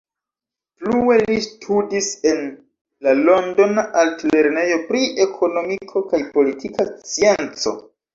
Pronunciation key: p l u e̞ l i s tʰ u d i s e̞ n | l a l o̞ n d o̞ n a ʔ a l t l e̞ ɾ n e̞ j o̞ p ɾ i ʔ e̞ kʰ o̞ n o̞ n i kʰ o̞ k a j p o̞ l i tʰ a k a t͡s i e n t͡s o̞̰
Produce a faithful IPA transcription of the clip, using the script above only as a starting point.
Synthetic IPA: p l u e̞ l i s tʰ u d i s e̞ n | l a l o̞ n d o̞ n a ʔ a l t l e̞ ɾ n e̞ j o̞ p ɾ i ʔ e̞ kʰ o̞ n o̞ m i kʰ o̞ k a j p o̞ l i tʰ i k a t͡s i e n t͡s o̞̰